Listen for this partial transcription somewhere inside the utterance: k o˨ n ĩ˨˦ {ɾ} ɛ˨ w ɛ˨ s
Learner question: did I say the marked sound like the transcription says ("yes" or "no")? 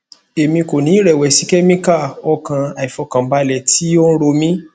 yes